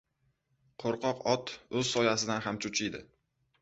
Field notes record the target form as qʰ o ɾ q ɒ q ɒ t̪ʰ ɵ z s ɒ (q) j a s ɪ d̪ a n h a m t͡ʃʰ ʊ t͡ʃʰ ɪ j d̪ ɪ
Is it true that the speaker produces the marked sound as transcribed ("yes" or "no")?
no